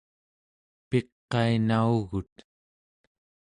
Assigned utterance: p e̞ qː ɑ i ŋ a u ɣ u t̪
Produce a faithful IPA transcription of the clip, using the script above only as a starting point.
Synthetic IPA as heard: p e̞ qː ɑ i n a u ɣ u t̪